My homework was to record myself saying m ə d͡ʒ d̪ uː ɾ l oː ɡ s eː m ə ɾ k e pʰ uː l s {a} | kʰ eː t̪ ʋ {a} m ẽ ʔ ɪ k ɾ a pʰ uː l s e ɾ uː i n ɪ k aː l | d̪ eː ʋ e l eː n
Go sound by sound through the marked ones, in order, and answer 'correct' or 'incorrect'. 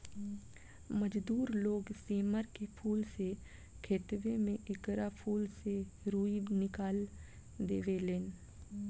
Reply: incorrect: e, incorrect: e

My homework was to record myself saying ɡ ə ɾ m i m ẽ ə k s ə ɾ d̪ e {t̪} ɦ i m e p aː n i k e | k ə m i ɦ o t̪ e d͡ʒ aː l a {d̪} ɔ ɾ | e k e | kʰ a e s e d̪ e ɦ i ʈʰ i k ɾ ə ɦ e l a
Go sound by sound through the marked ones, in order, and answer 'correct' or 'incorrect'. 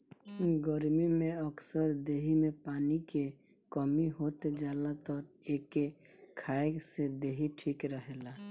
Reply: incorrect: none, incorrect: t̪

